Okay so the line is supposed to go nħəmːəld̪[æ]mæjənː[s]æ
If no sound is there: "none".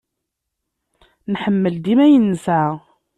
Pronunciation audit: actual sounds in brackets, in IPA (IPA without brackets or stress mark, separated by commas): i, s